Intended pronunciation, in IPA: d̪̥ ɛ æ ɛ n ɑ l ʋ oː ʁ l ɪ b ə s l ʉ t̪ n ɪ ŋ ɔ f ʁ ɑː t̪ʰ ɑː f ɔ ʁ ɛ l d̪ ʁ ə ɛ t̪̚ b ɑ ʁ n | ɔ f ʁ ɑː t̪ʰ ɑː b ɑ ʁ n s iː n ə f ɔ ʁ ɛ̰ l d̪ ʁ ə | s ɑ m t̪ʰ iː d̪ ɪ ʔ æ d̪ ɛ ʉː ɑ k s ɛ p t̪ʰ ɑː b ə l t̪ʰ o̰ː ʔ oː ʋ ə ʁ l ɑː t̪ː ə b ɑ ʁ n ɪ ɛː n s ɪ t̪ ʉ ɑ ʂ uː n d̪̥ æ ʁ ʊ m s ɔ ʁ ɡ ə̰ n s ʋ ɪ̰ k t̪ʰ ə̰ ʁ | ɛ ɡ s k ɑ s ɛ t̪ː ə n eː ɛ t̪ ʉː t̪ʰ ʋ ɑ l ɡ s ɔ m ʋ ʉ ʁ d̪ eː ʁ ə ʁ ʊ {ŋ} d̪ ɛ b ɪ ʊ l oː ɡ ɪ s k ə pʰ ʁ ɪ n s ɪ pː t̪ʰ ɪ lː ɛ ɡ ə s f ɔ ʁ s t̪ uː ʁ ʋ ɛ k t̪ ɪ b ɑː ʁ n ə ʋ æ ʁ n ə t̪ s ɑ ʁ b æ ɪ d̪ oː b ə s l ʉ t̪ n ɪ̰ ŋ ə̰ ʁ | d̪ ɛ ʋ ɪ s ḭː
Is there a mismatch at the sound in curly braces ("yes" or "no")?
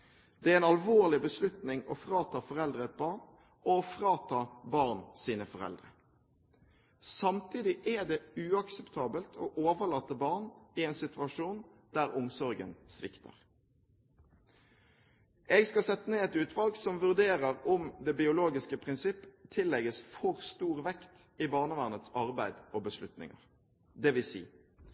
yes